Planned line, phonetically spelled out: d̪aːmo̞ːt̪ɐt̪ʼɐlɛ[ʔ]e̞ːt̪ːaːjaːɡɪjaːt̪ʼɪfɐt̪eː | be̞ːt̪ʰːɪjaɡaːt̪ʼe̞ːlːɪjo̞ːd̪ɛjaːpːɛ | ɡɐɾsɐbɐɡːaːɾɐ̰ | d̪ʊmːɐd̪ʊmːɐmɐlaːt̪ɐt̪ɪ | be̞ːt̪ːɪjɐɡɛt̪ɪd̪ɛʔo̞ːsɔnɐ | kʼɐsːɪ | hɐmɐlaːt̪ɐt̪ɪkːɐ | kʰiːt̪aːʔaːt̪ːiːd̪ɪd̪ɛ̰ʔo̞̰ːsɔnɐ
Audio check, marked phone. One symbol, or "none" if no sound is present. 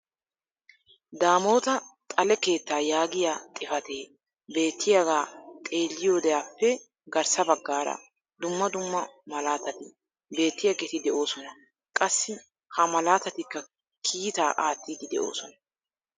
k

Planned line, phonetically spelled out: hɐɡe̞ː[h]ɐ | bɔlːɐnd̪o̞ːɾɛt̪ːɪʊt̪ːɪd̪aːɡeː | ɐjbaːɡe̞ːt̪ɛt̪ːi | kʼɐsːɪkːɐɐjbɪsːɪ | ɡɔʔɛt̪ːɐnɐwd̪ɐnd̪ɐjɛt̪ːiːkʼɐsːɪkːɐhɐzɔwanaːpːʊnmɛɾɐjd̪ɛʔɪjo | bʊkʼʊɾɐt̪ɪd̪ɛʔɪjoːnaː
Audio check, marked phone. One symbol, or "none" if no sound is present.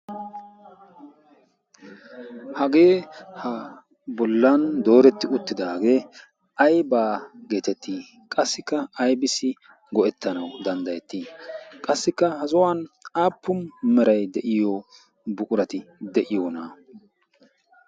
h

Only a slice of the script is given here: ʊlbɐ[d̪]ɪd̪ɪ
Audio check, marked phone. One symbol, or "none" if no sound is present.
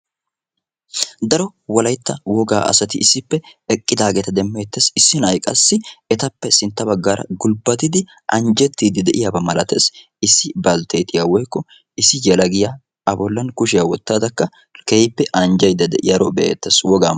t̪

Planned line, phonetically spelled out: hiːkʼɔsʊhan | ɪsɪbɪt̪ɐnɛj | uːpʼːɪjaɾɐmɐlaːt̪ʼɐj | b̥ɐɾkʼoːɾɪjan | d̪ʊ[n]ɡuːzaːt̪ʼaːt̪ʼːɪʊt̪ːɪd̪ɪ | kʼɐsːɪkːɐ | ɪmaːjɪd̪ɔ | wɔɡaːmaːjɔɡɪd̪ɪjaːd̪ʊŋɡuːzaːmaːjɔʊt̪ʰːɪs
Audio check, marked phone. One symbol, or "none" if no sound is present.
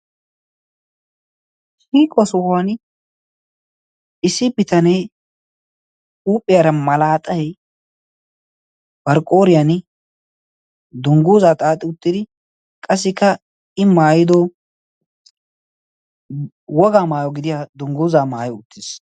ŋ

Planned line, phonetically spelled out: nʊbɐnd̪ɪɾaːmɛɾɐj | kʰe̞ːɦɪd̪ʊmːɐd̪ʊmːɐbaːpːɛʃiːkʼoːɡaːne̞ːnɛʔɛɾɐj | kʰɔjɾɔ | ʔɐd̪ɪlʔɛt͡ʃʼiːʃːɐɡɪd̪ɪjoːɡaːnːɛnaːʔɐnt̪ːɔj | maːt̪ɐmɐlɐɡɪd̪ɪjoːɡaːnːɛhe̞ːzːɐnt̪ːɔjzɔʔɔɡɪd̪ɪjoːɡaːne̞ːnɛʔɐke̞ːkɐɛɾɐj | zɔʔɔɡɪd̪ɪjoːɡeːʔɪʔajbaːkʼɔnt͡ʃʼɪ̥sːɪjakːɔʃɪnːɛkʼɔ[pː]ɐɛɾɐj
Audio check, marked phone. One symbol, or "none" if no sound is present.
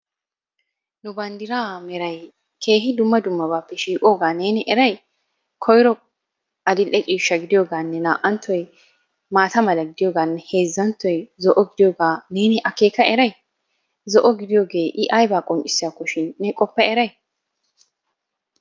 pː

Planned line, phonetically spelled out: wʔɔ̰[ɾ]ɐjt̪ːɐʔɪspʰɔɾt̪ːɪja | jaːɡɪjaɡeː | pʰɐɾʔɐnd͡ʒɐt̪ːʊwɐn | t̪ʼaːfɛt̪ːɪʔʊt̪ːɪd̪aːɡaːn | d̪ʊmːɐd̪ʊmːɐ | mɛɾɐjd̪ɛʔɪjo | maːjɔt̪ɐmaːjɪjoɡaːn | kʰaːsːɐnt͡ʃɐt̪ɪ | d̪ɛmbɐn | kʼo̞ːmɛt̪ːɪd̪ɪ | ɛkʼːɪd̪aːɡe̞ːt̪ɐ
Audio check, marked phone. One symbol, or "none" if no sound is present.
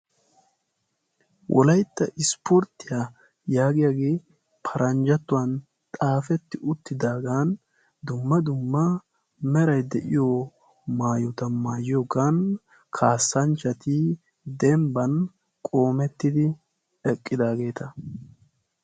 l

